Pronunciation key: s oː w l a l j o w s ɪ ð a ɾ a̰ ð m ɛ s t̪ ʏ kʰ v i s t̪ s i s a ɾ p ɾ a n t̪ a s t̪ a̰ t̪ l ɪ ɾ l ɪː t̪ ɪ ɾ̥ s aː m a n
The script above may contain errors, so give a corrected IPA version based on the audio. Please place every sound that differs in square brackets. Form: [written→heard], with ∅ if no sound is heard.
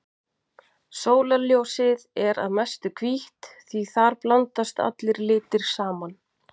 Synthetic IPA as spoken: s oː w l a l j o w s ɪ ð [a→ɛ] ɾ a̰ ð m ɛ s t̪ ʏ kʰ v i [s→h] t̪ [s→θ] i [s→θ] a ɾ p [ɾ→l] a n t̪ a s t̪ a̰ t̪ l ɪ ɾ l ɪː t̪ ɪ ɾ̥ s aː m a n